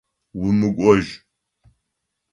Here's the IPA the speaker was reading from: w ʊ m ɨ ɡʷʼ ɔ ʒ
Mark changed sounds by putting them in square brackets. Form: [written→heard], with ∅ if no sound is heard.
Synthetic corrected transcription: w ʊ m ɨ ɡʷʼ ɔ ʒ